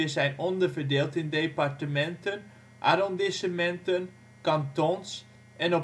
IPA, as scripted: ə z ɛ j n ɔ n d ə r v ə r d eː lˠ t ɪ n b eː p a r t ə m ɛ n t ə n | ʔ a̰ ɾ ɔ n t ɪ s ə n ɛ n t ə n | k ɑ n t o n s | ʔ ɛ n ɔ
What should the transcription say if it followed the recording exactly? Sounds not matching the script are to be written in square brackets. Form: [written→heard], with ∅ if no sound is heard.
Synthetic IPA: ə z ɛ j n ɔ n d ə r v ə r d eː lˠ t ɪ n [b→d] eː p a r t ə m ɛ n t ə n | ʔ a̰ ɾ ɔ n [t→d] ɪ s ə [n→m] ɛ n t ə n | k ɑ n t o n s | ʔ ɛ n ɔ